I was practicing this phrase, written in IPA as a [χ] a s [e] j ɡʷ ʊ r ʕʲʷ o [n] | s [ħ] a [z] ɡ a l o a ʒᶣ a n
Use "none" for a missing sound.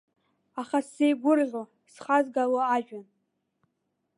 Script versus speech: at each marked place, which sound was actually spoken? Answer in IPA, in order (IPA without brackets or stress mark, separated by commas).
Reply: χ, e, none, χ, z